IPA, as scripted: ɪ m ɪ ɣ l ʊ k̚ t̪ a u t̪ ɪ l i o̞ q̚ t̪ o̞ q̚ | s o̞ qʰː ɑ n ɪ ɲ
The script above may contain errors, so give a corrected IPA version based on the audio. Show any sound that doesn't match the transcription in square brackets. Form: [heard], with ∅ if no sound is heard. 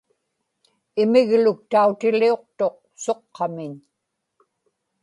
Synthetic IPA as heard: ɪ m ɪ ɣ l ʊ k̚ t̪ a u t̪ ɪ l i o̞ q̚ t̪ o̞ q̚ | s o̞ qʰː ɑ [m] ɪ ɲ